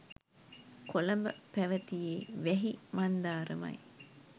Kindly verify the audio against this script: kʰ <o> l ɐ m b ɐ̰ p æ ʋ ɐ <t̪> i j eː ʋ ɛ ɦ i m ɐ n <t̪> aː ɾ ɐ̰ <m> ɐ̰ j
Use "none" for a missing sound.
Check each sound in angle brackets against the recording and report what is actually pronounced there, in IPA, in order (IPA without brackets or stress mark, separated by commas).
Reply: o, t̪, d̪, m